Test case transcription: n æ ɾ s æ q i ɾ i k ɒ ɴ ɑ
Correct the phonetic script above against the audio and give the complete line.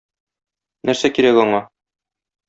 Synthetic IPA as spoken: n æ ɾ s æ k i ɾ æ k ɒ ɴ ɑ